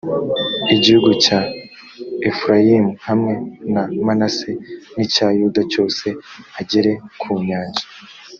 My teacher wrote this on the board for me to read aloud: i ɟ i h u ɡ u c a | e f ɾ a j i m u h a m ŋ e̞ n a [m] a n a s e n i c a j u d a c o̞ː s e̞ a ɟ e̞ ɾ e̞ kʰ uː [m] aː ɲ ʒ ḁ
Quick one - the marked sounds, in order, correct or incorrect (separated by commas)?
correct, incorrect